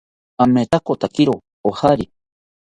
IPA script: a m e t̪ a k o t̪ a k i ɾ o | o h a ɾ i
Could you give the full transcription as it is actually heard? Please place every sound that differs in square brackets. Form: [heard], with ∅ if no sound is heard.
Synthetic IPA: a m e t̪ a k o t̪ a k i ɾ o | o h a ɾ i